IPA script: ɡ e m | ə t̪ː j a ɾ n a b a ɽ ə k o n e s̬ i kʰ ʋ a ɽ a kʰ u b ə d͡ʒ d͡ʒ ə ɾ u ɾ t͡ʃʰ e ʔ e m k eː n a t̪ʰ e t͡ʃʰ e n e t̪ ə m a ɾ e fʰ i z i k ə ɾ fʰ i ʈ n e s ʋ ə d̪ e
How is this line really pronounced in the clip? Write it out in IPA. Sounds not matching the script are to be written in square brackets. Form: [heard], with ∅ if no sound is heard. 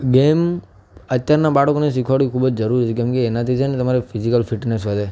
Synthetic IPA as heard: ɡ e m | ə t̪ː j a ɾ n a b a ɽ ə k o n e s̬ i kʰ ʋ a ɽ [i] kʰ u b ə d͡ʒ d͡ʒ ə ɾ u ɾ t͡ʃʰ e [k] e m k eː n a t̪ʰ [i] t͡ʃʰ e n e t̪ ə m a ɾ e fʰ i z i k ə [l] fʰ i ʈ n e s ʋ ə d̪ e